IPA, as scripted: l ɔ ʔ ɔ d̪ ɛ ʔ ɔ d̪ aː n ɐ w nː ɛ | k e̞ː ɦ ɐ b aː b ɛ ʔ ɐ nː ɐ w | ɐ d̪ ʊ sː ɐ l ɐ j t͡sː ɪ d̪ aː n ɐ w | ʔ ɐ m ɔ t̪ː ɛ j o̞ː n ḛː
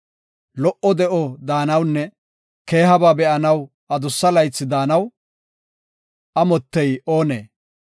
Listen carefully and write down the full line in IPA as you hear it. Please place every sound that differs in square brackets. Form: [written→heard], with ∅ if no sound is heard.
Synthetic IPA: l ɔ ʔ ɔ d̪ ɛ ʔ ɔ d̪ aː n ɐ w nː ɛ | k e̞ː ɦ ɐ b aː b ɛ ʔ ɐ [nː→n] ɐ w | ɐ d̪ ʊ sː ɐ l ɐ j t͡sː ɪ d̪ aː n ɐ w | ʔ ɐ m ɔ t̪ː ɛ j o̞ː n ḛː